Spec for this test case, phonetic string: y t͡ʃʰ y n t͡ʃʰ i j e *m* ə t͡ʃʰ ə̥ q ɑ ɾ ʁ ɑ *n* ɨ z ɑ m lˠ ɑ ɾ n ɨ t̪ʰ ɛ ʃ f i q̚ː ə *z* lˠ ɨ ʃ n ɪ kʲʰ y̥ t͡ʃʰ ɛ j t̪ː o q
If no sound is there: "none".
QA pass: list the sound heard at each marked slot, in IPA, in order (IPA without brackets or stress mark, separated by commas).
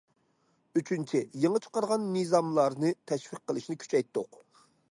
ŋ, nː, none